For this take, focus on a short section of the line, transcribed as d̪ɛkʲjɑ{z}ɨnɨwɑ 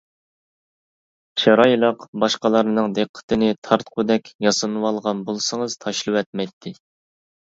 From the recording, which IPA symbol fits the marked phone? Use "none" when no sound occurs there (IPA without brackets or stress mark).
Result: s